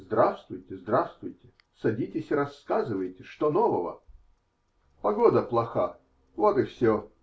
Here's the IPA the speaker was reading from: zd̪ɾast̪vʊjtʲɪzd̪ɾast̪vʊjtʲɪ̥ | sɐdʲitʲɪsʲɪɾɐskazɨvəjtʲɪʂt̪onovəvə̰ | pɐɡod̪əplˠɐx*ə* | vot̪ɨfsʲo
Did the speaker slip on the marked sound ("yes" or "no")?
yes